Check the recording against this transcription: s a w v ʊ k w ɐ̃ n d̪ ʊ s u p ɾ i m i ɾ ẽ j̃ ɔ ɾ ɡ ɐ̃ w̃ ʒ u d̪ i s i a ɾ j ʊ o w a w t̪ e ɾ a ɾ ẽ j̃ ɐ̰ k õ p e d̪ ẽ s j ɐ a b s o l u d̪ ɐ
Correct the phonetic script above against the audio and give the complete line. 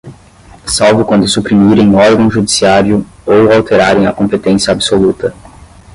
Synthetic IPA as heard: s a w v ʊ k w ɐ̃ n d̪ ʊ s u p ɾ i m i ɾ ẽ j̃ ɔ ɾ ɡ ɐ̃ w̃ ʒ u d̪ i s i a ɾ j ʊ o w a w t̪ e ɾ a ɾ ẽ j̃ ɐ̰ k õ p e t̪ ẽ s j ɐ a b s o l u t̪ ɐ